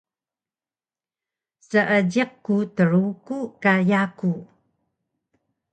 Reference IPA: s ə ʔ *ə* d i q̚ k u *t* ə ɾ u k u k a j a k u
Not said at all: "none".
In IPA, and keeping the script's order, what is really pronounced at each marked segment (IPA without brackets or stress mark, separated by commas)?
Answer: ə, t